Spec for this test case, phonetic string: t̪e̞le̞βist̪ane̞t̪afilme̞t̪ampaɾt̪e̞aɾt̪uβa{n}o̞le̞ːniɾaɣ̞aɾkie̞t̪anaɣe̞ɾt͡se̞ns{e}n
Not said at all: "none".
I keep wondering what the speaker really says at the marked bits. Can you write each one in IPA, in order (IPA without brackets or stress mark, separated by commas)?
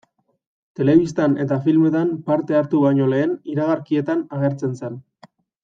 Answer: ɲ, e